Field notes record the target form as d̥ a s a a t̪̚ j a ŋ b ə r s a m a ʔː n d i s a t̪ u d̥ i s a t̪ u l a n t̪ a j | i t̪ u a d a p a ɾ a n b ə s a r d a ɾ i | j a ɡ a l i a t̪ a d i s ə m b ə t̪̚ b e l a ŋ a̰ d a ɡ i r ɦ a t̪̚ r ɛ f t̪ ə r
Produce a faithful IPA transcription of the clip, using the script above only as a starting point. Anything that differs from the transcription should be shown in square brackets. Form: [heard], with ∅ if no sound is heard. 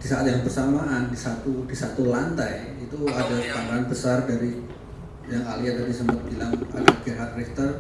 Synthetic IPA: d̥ [i] s a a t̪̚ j a ŋ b ə r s a m a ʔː n d i s a t̪ u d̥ i s a t̪ u l a n t̪ a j | i t̪ u a d a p a ɾ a n b ə s a r d a ɾ i | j a [ŋ] a l i a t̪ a d i s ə m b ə t̪̚ b [i] l a ŋ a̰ d a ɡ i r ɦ a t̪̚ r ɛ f t̪ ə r